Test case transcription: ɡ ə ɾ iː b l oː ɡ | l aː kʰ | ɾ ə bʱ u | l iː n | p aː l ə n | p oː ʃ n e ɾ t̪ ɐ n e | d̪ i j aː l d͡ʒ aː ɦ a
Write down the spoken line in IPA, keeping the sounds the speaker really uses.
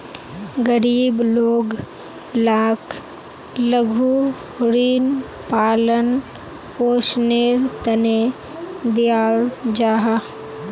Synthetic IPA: ɡ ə ɾ iː b l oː ɡ | l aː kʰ | l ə ɡʱ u | ɾ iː n | p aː l ə n | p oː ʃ n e ɾ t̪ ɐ n e | d̪ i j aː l d͡ʒ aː ɦ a